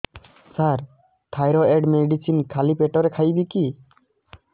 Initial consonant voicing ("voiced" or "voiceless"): voiceless